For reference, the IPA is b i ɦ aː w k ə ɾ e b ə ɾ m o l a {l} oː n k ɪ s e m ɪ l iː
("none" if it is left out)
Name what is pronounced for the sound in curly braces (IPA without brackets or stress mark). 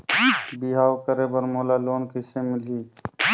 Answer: l